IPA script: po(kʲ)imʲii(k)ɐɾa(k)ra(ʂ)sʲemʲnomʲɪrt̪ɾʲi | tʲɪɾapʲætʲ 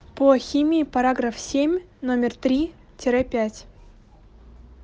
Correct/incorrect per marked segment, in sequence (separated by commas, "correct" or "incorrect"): incorrect, incorrect, incorrect, incorrect